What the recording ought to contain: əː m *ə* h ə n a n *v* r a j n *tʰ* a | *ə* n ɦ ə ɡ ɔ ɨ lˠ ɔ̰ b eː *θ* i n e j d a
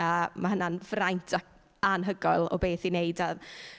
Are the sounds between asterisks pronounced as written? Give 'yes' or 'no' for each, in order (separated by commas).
no, yes, yes, no, yes